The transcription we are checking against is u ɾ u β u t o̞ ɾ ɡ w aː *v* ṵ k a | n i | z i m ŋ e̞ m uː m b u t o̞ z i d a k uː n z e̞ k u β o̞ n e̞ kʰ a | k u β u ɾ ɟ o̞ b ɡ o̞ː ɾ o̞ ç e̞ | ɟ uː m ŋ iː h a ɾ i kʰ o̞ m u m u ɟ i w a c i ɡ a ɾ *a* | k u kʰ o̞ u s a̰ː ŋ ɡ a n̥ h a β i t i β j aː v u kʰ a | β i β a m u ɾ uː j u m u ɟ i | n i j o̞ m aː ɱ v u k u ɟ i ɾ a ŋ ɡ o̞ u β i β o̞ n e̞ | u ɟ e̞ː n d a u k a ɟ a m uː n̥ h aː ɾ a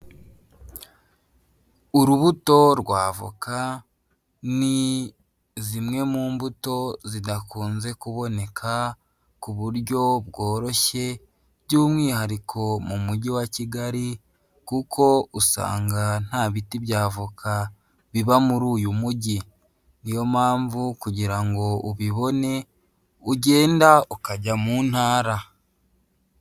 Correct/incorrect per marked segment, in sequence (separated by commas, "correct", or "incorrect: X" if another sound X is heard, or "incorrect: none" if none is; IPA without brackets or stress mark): correct, incorrect: i